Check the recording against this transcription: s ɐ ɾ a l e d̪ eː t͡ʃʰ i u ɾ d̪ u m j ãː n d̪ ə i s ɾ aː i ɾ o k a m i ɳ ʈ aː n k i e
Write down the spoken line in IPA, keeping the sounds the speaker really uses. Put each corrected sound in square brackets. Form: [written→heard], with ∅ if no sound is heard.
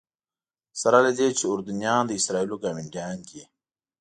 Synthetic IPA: s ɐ ɾ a l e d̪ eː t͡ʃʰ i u ɾ d̪ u [m→n] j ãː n d̪ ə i s ɾ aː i [ɾ→l] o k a m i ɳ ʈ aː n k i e

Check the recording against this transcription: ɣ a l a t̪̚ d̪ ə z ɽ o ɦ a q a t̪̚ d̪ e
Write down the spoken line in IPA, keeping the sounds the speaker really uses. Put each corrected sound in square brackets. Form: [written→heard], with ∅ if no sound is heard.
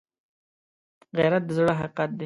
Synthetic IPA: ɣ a [l→ɾ] a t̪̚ d̪ ə z ɽ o ɦ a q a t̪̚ d̪ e

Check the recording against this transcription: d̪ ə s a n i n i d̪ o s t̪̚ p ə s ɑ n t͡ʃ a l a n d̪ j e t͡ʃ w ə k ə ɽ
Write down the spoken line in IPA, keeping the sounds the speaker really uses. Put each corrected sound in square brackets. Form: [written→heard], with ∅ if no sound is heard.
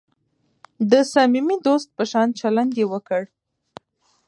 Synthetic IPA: d̪ ə s a [n→m] i [n→m] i d̪ o s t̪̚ p ə [s→ʃ] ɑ n t͡ʃ a l a n d̪ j e [t͡ʃ→∅] w ə k ə ɽ

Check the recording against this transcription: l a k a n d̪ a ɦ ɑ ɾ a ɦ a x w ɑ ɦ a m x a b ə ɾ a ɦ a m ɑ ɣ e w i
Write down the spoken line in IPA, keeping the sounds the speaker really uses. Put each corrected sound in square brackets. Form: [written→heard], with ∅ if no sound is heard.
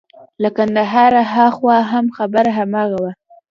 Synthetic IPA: l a k a n d̪ a ɦ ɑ ɾ a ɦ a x w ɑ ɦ a m x a b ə ɾ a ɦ a m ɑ ɣ [e→a] w [i→a]

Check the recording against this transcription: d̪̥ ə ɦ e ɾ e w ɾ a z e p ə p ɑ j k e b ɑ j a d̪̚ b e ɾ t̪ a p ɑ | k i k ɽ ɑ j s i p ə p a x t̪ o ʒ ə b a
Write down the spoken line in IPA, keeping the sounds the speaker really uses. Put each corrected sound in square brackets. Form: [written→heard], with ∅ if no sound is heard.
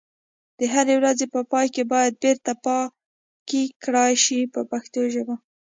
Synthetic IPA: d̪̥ ə ɦ [e→a] ɾ e w ɾ a z e p ə p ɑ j k e b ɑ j a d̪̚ b e ɾ t̪ a p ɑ | k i k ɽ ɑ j [s→ʃ] i p ə p a x t̪ o ʒ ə b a

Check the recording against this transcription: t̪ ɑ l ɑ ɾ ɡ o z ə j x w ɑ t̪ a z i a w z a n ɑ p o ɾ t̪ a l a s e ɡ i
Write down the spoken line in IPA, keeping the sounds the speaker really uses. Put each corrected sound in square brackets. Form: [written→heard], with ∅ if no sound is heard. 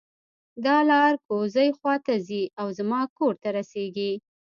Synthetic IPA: [t̪→d̪] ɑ l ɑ ɾ [ɡ→k] o z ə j x w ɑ t̪ a z i a w z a [n→m] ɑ [p→k] o ɾ t̪ a [l→ɾ] a s e ɡ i

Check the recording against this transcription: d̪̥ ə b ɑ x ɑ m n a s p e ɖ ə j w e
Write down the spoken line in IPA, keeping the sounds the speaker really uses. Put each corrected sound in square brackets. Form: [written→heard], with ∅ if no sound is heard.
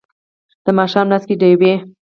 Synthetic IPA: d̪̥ ə [b→m] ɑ [x→ʃ] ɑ m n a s [p→k] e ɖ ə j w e

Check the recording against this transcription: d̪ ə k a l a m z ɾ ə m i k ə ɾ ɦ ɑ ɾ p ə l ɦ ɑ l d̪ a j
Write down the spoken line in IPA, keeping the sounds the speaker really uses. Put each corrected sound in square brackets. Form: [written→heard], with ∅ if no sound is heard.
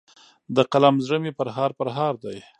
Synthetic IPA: d̪ ə [k→q] a l a m z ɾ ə m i [k→p] ə ɾ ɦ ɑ ɾ p ə [l→ɾ] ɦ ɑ [l→ɾ] d̪ a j

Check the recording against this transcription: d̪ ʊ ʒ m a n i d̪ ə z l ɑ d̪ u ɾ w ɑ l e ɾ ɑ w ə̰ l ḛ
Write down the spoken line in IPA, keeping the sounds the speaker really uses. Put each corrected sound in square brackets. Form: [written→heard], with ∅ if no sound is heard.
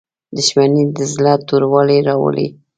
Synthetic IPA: d̪ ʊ [ʒ→ʃ] m a n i d̪ ə z l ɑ [d̪→t̪] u ɾ w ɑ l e ɾ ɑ w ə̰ l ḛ

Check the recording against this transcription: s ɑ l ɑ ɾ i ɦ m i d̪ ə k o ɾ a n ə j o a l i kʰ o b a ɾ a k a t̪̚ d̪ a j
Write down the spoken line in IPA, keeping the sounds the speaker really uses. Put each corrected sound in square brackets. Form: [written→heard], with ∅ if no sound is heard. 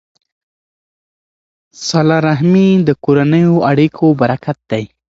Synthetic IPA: s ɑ l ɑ ɾ [i→a] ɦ m i d̪ ə k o ɾ a n ə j o a [l→ɽ] i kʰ o b a ɾ a k a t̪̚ d̪ a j

